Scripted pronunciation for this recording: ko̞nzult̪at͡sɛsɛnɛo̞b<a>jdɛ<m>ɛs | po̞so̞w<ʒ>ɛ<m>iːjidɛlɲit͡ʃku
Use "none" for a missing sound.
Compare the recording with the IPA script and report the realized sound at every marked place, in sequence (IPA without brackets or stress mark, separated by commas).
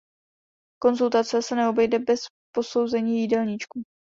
ɛ, b, z, ɲ